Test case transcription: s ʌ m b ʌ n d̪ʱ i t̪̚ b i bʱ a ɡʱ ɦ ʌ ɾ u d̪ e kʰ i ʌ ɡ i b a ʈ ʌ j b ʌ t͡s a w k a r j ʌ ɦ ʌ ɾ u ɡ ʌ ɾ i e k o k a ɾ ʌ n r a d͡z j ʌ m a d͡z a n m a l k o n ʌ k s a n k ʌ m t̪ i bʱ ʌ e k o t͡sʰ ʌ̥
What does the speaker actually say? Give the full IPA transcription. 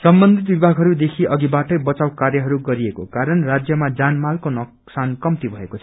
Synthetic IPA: s ʌ m b ʌ n d̪ʱ i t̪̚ b i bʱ a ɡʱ ɦ ʌ ɾ u d̪ e kʰ i ʌ ɡ i b a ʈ ʌ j b ʌ t͡s a w k a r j ʌ ɦ ʌ ɾ u ɡ ʌ ɾ i e k o k a ɾ ʌ n r a d͡z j ʌ m a d͡z a n m a l k o n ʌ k s a n k ʌ m t̪ i bʱ ʌ e k o t͡sʰ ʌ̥